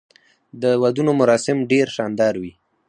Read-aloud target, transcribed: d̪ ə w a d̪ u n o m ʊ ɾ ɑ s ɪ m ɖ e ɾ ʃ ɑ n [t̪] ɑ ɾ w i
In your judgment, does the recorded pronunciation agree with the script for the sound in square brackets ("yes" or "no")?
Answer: no